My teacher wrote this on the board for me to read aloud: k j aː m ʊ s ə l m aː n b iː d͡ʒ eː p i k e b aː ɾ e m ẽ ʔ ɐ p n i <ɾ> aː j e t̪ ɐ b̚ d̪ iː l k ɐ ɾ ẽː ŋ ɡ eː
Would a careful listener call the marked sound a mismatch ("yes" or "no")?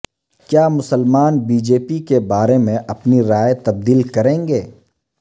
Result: no